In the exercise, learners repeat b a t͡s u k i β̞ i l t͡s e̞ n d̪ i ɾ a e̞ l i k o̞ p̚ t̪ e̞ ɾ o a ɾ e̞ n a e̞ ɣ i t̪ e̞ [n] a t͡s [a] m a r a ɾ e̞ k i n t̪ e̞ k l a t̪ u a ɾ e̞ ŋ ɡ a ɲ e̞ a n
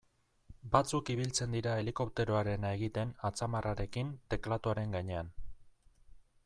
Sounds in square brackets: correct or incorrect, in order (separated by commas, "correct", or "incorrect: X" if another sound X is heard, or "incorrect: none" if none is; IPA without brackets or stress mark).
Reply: correct, correct